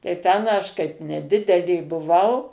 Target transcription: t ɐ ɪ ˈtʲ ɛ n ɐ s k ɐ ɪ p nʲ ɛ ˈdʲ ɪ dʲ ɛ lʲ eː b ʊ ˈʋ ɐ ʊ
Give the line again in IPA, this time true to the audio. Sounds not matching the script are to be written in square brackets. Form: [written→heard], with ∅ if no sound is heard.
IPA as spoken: t ɐ ɪ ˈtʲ ɛ n ɐ [s→ʃ] k ɐ ɪ p nʲ ɛ ˈdʲ ɪ dʲ ɛ lʲ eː b ʊ ˈʋ ɐ ʊ